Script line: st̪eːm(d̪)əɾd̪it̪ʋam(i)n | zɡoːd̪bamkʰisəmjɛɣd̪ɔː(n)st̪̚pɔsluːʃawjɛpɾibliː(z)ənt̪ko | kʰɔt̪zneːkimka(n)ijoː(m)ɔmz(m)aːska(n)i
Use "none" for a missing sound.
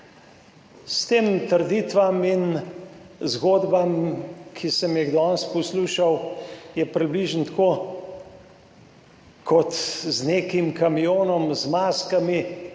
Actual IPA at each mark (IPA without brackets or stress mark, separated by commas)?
t̪, i, n, ʒ, m, n, m, m